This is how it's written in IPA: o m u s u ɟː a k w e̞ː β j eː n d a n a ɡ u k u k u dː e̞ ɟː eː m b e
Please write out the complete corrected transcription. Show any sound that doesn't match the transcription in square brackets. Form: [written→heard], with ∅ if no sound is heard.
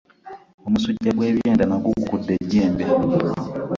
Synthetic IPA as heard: o m u s u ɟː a [k→ɡ] w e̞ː β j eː n d a n a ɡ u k u k u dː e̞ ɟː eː m b e